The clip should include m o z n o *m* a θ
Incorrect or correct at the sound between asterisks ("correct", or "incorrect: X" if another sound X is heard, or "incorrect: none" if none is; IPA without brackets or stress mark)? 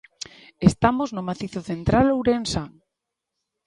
correct